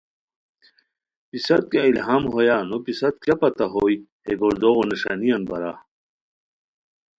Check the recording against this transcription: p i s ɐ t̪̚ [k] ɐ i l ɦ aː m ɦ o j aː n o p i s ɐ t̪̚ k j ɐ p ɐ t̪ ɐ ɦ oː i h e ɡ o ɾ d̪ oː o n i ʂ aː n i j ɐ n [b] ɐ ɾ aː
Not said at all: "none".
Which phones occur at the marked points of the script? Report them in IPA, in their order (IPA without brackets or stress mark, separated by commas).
k, b